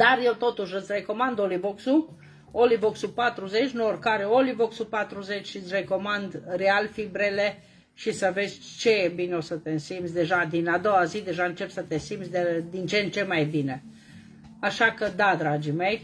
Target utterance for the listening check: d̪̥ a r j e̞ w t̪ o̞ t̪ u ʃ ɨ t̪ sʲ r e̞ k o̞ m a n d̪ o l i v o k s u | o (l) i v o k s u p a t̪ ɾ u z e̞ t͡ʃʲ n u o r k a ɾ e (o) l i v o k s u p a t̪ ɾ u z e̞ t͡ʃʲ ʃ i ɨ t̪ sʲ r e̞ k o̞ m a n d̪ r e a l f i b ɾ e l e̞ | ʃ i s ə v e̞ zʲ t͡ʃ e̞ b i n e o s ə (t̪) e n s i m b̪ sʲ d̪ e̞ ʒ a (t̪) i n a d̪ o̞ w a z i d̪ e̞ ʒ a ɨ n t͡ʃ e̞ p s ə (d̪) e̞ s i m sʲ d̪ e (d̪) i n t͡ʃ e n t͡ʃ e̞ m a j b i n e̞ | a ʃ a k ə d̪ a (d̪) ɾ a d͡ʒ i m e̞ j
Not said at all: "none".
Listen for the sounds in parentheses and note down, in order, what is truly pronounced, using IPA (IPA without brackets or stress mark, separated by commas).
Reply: l, o, t̪, d̪, t̪, d̪, d̪